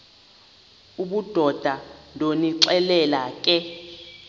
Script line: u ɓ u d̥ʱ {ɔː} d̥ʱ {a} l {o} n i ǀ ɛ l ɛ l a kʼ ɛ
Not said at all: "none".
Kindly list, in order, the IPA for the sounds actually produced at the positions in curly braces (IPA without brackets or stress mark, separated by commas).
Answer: ɔ, a, o